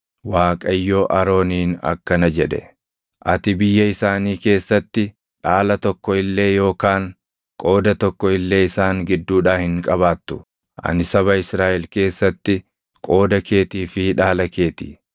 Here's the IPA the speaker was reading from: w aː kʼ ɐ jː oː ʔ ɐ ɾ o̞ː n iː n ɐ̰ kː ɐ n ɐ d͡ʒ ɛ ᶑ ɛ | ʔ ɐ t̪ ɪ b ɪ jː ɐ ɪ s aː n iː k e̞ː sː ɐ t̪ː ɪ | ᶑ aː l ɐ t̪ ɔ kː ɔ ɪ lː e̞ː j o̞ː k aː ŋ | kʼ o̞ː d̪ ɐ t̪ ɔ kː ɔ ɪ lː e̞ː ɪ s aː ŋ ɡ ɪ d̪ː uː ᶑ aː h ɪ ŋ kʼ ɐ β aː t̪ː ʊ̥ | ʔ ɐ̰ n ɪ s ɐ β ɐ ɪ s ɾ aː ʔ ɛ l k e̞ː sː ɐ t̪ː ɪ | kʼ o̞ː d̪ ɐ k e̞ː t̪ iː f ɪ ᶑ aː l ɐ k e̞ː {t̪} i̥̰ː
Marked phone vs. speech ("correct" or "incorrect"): correct